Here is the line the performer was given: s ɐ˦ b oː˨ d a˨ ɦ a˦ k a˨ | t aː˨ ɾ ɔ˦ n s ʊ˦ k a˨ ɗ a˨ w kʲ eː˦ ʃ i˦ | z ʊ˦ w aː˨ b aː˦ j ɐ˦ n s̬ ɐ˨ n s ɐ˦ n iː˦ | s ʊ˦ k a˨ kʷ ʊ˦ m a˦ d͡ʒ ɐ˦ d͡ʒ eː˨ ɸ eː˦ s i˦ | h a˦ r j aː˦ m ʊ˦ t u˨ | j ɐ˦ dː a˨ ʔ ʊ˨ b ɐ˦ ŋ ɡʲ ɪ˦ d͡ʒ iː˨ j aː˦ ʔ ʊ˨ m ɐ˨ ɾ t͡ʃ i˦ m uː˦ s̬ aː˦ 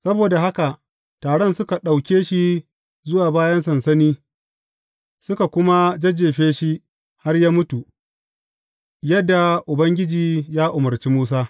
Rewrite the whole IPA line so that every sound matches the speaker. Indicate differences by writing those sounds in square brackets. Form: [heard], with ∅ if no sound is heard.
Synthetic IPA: s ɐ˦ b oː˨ d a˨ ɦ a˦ k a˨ | t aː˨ [ɽ] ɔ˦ n s ʊ˦ k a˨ ɗ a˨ w kʲ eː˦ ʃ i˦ | z ʊ˦ w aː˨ b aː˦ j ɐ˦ n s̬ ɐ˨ n s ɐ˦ n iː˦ | s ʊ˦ k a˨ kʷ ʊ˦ m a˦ d͡ʒ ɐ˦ d͡ʒ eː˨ ɸ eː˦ [ʃ] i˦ | h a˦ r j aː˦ m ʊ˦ t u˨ | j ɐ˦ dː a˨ ʔ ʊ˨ b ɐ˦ ŋ ɡʲ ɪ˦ d͡ʒ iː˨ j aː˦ ʔ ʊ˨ m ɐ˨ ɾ t͡ʃ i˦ m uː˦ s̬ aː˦